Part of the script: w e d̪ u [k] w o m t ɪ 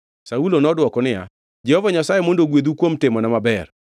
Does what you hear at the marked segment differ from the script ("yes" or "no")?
no